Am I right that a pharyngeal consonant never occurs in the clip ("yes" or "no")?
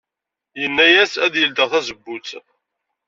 yes